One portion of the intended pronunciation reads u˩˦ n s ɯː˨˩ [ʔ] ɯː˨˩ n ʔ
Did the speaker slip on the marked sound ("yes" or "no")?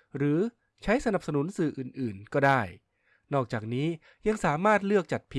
no